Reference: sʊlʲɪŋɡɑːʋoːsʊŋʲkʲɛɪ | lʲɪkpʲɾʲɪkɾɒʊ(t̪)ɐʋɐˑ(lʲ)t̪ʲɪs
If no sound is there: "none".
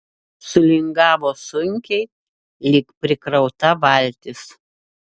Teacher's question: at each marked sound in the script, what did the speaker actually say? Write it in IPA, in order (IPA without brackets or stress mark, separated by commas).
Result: t̪, lʲ